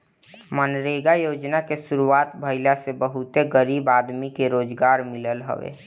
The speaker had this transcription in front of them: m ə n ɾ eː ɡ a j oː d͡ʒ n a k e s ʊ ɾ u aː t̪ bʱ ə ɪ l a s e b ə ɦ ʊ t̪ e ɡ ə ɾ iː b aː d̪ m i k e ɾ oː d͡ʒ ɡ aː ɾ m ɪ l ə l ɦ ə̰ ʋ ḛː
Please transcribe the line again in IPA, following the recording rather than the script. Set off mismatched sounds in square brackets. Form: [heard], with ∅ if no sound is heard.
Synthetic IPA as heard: m ə n ɾ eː ɡ a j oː d͡ʒ n a k e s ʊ ɾ u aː t̪ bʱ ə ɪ l a s e b ə ɦ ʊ t̪ e ɡ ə ɾ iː b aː d̪ m i k e ɾ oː d͡ʒ ɡ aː ɾ m ɪ l ə l ɦ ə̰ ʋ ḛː